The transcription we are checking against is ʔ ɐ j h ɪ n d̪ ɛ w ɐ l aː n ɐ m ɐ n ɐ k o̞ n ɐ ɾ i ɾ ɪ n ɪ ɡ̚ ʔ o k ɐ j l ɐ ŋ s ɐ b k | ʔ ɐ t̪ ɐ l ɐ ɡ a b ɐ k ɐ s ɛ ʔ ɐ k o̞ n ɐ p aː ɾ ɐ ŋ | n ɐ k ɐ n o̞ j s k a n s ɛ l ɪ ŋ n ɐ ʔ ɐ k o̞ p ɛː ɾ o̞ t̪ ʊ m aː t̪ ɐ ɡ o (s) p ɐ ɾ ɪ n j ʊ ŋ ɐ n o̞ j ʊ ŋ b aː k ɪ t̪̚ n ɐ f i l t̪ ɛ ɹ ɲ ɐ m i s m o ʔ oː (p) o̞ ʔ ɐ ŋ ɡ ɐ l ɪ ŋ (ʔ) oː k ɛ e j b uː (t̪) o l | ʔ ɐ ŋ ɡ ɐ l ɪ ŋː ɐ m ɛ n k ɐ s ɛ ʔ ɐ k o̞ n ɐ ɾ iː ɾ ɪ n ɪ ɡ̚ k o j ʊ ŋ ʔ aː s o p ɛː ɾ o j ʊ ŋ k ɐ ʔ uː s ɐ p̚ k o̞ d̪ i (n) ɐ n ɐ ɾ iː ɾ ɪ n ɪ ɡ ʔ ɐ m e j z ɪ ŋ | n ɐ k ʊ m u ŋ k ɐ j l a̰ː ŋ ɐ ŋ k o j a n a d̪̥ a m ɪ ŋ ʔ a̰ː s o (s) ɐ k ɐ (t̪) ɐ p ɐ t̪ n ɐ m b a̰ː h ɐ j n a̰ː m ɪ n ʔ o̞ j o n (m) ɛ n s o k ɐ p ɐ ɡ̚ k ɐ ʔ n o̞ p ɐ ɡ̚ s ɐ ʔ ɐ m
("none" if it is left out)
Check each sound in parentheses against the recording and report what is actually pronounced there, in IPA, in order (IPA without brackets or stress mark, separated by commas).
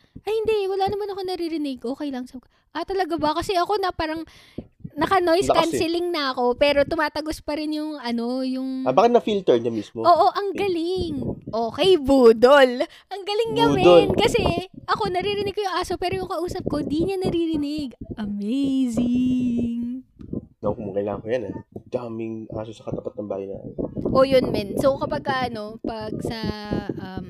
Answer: s, ʔ, ʔ, d̪, ɲ, s, t̪, m